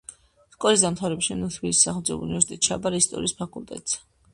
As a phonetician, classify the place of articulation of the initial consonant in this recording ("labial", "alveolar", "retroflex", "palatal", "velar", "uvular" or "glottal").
alveolar